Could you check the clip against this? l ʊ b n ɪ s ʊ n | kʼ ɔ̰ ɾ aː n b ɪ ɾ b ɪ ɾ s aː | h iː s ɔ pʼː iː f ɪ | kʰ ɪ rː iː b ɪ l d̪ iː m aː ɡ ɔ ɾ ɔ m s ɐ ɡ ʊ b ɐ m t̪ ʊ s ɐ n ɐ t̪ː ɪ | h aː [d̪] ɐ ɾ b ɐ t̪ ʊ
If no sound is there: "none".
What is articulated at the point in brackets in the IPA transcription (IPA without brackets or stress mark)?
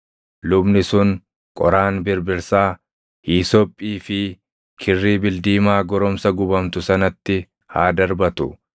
d̪